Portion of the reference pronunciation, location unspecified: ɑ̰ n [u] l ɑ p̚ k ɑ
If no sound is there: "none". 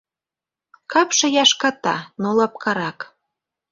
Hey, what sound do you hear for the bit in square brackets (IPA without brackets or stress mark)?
o